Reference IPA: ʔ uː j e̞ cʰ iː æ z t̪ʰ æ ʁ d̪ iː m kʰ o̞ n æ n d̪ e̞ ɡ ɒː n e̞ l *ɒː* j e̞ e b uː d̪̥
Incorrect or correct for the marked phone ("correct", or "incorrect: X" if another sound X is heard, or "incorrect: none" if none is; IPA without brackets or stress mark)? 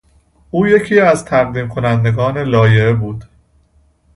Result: correct